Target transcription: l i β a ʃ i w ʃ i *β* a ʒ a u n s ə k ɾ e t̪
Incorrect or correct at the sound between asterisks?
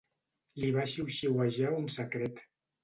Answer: incorrect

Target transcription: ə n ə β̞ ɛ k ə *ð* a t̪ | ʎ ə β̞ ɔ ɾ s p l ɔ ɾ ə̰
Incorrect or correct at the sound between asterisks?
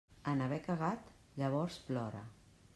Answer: incorrect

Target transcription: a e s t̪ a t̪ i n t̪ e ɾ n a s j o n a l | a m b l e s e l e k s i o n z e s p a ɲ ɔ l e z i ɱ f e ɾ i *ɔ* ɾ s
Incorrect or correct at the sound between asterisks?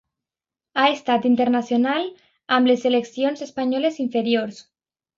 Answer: incorrect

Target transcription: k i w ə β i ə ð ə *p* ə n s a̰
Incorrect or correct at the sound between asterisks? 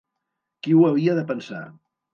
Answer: correct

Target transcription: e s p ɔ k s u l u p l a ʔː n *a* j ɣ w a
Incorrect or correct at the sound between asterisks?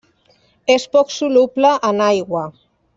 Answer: correct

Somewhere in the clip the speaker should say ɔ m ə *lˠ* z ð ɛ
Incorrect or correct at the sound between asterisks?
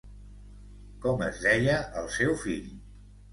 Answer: incorrect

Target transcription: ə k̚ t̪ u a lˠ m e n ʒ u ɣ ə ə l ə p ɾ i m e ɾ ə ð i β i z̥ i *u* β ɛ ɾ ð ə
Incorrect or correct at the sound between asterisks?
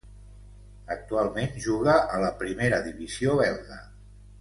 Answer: incorrect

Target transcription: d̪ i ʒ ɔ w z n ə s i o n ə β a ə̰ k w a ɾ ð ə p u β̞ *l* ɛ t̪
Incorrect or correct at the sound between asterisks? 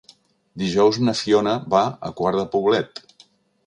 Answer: correct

